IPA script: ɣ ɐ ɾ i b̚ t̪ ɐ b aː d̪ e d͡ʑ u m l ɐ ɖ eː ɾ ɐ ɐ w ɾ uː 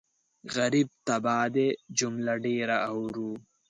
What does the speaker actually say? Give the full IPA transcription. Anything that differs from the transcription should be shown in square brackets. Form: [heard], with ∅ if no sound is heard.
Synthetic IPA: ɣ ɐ ɾ i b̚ t̪ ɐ b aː d̪ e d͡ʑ u m l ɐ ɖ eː ɾ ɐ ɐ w ɾ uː